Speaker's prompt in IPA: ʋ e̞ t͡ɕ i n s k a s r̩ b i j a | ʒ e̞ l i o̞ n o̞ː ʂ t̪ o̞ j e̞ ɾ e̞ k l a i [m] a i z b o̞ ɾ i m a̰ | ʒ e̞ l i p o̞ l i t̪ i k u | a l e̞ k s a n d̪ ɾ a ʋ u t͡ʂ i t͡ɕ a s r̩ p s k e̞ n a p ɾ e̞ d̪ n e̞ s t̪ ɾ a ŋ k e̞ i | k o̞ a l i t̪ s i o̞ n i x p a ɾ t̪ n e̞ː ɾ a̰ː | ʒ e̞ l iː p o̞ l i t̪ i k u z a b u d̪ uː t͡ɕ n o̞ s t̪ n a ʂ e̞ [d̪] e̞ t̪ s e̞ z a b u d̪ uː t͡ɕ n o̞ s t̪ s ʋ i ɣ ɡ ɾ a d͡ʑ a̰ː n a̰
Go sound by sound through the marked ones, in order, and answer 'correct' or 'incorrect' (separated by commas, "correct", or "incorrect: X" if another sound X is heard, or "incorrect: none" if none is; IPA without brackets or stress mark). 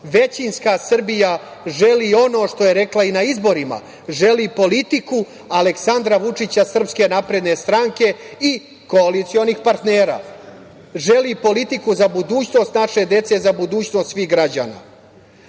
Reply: incorrect: n, correct